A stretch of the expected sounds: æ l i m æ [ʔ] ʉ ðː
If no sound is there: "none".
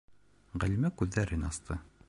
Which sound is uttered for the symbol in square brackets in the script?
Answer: k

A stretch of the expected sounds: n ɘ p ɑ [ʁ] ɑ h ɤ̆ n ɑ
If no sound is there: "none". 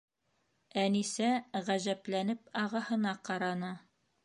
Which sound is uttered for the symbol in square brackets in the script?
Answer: ʁ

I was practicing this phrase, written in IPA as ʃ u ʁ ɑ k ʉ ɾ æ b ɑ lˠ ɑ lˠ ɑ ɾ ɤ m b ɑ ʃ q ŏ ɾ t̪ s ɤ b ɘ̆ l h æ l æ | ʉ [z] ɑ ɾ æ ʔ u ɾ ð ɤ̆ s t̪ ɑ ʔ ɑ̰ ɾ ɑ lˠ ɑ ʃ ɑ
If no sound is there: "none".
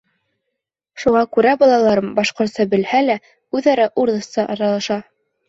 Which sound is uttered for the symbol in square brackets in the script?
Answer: ð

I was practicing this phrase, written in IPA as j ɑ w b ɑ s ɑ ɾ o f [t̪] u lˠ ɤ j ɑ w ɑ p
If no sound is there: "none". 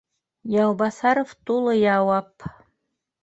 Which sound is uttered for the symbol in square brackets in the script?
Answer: t̪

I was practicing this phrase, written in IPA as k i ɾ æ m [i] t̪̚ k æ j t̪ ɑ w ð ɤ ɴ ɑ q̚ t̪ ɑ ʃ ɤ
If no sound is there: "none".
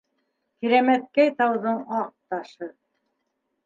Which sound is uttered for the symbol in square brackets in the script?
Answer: æ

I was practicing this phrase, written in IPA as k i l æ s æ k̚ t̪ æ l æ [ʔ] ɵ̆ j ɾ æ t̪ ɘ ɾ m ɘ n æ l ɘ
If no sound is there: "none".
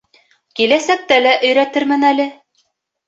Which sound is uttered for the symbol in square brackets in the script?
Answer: ʔ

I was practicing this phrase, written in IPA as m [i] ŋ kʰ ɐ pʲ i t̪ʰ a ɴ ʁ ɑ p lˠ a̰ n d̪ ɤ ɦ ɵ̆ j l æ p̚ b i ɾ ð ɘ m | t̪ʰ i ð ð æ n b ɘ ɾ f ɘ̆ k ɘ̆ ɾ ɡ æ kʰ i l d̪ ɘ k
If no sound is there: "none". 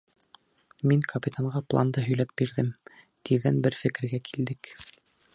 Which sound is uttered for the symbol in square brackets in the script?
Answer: i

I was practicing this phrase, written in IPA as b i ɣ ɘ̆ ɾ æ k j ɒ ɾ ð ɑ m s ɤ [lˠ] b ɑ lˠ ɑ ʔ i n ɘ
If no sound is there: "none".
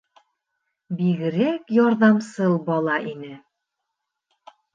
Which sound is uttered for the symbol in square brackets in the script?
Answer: lˠ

